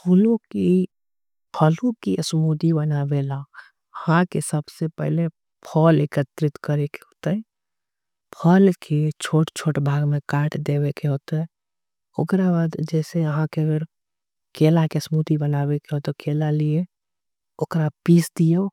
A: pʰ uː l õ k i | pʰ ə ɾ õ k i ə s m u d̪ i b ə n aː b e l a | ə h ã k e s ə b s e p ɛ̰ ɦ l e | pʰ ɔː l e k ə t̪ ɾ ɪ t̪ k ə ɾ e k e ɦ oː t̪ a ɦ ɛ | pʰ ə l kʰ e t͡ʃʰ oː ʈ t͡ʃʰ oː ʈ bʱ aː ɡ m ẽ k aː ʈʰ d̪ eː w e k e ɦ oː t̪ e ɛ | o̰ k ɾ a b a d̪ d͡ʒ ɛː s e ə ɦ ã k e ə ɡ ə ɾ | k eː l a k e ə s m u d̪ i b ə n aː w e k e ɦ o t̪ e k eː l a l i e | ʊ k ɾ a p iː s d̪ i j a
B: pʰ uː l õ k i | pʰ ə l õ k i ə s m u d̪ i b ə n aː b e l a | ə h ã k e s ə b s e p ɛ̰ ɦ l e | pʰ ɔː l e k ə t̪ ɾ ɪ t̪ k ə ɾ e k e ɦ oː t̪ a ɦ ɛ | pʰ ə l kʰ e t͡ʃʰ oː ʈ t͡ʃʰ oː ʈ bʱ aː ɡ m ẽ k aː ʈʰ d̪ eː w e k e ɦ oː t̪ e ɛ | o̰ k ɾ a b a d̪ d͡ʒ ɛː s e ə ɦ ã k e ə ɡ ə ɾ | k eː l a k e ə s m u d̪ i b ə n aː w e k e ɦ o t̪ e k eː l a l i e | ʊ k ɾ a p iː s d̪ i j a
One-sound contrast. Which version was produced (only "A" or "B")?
B